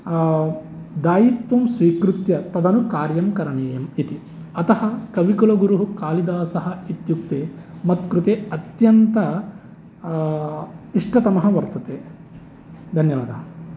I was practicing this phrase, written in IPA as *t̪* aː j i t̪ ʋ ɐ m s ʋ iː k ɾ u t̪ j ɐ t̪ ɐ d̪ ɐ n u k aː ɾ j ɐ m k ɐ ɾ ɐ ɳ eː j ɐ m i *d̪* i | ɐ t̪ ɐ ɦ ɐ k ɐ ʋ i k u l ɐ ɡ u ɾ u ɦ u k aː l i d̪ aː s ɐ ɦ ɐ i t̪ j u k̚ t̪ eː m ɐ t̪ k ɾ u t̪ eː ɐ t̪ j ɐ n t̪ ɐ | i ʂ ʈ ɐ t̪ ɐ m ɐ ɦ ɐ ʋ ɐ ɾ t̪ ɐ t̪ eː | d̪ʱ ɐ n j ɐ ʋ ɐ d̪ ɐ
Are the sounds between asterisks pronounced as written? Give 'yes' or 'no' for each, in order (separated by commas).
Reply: no, no